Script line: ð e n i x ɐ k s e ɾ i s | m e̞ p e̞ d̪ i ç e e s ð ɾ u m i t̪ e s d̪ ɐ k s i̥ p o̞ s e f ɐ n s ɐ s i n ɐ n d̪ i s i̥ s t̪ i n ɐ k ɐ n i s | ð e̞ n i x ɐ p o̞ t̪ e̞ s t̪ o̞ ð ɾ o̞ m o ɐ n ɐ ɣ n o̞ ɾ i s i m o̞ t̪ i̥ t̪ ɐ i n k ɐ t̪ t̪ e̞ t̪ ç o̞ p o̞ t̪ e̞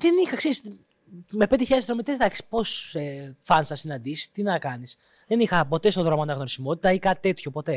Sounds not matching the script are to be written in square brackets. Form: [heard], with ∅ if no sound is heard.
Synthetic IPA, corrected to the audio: ð e n i x ɐ k s e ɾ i s | m e̞ p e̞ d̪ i ç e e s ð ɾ [o] m i t̪ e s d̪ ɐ k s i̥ p o̞ s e f ɐ n s ɐ s i n ɐ n d̪ i s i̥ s t̪ i n ɐ k ɐ n i s | ð e̞ n i x ɐ p o̞ t̪ e̞ s t̪ o̞ ð ɾ o̞ m o ɐ n ɐ ɣ n o̞ ɾ i s i m o̞ t̪ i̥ t̪ ɐ i [∅] k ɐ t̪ t̪ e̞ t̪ ç o̞ p o̞ t̪ e̞